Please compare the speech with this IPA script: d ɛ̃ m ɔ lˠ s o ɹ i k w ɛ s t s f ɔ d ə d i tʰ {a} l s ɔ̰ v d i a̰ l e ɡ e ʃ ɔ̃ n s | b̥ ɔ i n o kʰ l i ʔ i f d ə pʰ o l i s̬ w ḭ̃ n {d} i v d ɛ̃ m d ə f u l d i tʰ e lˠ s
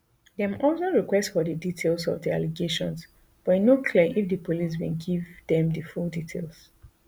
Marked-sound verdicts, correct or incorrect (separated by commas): incorrect, incorrect